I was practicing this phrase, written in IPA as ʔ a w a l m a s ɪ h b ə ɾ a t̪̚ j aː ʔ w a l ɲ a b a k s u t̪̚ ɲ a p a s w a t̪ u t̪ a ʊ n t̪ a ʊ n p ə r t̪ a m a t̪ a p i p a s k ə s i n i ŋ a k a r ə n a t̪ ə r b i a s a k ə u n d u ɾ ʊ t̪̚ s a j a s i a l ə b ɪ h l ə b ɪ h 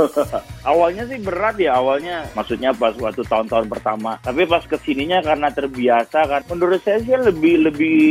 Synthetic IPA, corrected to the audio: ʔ a w a l ɲ a s ɪ h b ə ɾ a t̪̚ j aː w a l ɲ a m a k s u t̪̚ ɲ a p a s w a t̪ u t̪ a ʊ n t̪ a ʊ n p ə r t̪ a m a t̪ a p i p a s k ə s i n i ɲ a k a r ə n a t̪ ə r b i a s a k a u n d u ɾ ʊ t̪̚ s a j a s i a l ə b ɪ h l ə b ɪ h